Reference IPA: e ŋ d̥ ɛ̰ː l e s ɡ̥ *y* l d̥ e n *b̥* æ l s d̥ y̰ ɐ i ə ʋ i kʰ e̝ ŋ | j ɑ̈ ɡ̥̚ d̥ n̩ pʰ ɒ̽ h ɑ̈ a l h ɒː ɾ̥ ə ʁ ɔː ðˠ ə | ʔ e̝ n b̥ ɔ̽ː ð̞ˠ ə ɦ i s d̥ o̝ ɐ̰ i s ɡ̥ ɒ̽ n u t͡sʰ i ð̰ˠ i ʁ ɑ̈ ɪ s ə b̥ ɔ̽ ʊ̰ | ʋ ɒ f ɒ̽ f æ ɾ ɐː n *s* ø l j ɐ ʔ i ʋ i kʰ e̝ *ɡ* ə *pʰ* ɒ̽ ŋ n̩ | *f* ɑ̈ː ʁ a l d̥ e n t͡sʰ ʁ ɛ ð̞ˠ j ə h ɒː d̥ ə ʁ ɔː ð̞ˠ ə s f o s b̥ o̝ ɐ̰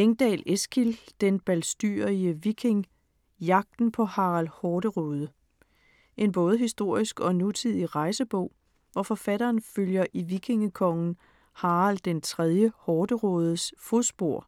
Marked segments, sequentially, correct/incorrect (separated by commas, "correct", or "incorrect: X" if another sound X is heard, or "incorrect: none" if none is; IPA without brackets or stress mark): incorrect: i, correct, incorrect: f, incorrect: ŋ, incorrect: kʰ, incorrect: h